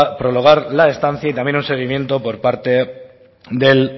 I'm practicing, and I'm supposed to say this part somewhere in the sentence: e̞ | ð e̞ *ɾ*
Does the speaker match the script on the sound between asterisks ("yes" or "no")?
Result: no